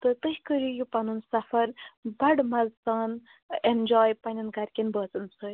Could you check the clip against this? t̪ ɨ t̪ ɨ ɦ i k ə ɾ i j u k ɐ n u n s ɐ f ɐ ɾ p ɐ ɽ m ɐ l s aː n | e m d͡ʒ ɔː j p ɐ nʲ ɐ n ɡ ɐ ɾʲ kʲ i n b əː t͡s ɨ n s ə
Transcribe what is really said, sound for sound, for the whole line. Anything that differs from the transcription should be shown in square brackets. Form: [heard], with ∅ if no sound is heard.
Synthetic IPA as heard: t̪ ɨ t̪ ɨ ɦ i k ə ɾ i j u [p] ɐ n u n s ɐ f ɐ ɾ [b] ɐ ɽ m ɐ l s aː n | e [n] d͡ʒ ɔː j p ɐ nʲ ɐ n ɡ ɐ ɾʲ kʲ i n b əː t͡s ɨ n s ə